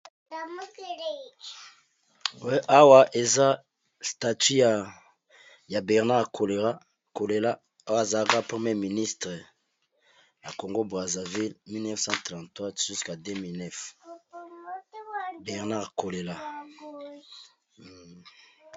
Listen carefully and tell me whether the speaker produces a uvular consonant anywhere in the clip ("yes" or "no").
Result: yes